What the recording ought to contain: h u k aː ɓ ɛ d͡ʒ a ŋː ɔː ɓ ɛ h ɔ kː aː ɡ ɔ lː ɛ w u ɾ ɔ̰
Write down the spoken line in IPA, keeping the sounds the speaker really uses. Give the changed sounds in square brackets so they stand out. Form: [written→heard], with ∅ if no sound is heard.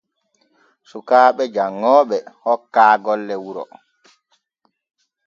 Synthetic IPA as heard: [h→s] u k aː ɓ ɛ d͡ʒ a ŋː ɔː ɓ ɛ h ɔ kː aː ɡ ɔ lː ɛ w u ɾ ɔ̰